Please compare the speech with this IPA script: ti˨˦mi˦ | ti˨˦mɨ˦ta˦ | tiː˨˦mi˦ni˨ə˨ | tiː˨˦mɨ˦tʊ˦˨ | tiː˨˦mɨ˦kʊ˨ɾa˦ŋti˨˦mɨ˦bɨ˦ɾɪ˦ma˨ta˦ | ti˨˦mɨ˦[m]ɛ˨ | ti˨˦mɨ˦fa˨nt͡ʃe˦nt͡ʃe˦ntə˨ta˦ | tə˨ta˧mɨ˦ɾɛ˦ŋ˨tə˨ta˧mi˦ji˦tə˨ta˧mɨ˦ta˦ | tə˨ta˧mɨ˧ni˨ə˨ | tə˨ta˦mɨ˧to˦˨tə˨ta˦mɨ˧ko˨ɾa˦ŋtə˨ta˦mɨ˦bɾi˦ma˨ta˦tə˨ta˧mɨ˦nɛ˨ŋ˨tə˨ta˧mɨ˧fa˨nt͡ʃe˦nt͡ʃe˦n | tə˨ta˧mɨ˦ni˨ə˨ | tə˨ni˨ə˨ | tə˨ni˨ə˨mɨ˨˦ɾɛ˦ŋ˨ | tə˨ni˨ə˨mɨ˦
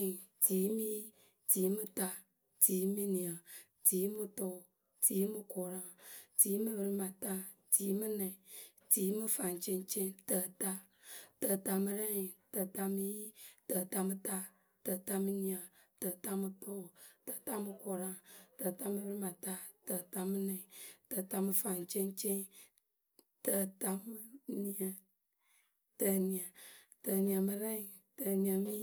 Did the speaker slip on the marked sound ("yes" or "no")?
yes